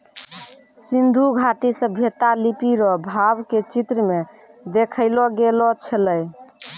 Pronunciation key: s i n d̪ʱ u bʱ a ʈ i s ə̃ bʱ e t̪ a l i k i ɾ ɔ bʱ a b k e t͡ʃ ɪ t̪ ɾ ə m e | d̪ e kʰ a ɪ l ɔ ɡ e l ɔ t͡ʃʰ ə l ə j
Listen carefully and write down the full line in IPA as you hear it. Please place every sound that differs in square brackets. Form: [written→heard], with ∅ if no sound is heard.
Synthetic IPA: s i n d̪ʱ u [bʱ→ɡʱ] a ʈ i s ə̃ bʱ e t̪ a l i [k→p] i ɾ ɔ bʱ a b k e t͡ʃ [ɪ→i] t̪ ɾ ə m e | d̪ e kʰ [a→ə] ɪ l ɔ ɡ e l ɔ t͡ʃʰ ə l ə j